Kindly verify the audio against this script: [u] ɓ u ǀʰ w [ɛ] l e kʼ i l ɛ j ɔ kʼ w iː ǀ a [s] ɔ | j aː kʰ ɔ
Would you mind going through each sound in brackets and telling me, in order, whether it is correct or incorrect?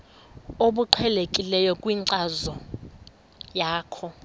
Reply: incorrect: o, correct, incorrect: z

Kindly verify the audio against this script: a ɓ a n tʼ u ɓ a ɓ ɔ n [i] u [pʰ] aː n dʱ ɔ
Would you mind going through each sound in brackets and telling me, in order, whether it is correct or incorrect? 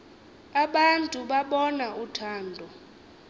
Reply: incorrect: a, incorrect: tʰ

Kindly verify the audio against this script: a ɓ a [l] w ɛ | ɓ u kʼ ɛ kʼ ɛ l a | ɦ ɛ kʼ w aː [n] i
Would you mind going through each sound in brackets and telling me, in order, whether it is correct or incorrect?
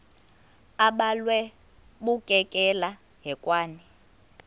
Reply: correct, correct

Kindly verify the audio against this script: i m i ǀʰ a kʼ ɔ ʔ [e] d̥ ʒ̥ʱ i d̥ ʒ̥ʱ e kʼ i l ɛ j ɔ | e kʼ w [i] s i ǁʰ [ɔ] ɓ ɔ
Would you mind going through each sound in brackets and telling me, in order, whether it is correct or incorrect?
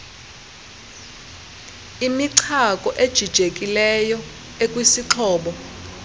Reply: correct, correct, incorrect: ɔː

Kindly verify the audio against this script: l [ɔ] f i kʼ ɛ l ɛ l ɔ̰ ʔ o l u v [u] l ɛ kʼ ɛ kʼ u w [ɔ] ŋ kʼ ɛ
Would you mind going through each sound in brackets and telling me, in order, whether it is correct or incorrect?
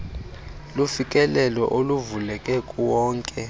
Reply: incorrect: u, correct, incorrect: ɔː

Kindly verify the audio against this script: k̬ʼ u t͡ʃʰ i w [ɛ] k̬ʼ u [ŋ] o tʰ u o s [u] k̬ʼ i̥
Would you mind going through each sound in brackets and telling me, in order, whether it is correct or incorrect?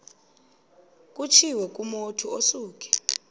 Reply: correct, incorrect: m, incorrect: uː

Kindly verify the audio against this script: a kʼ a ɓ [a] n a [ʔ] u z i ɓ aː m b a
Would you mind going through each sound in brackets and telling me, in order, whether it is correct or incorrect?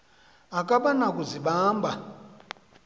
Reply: correct, incorrect: k

